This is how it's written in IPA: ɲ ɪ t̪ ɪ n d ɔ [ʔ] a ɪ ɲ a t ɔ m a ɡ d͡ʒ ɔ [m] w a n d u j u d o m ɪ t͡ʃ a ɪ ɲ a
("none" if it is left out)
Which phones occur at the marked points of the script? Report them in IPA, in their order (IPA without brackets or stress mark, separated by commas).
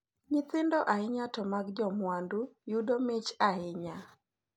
ʔ, m